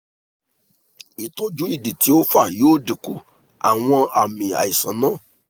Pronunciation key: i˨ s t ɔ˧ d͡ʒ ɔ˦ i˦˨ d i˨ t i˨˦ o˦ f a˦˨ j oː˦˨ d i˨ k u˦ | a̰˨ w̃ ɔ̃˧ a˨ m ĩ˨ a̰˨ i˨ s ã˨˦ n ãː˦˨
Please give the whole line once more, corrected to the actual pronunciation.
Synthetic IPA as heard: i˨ t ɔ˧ d͡ʒ u˦ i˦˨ d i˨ t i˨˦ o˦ f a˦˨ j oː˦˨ d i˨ k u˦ | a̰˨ w̃ ɔ̃˧ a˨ m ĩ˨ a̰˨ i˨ s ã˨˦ n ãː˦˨